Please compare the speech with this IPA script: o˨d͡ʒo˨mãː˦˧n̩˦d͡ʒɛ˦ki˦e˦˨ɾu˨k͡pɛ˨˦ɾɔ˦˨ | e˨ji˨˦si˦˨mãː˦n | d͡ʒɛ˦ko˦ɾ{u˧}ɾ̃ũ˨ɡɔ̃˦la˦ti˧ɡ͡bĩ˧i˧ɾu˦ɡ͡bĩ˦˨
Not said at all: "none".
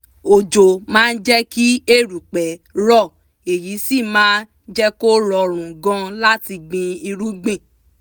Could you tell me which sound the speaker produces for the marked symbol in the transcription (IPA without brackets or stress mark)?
ɔ˧